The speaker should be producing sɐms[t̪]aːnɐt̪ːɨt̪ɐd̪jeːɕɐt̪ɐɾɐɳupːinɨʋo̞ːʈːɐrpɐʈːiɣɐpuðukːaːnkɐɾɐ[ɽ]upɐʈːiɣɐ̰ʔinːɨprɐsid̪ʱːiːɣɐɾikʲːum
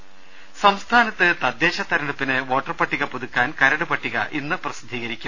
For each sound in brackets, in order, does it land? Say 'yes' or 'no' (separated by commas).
no, yes